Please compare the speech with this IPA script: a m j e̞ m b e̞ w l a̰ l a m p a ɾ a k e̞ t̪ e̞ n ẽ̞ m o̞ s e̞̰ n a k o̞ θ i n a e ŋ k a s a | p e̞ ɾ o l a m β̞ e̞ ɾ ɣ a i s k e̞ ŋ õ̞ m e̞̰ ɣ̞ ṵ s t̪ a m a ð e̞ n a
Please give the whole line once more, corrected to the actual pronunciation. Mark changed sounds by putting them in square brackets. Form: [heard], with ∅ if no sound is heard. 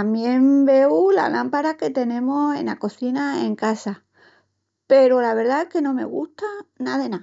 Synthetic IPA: a m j e̞ m b e̞ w l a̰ l a m p a ɾ a k e̞ t̪ e̞ n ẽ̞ m o̞ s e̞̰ n a k o̞ θ i n a e ŋ k a s a | p e̞ ɾ o l a [∅] β̞ e̞ ɾ [ð] a [e] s k e̞ [n] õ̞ m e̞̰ ɣ̞ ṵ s t̪ a [n] a ð e̞ n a